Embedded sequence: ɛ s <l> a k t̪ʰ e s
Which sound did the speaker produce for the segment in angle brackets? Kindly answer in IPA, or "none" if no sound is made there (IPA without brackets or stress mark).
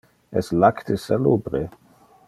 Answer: l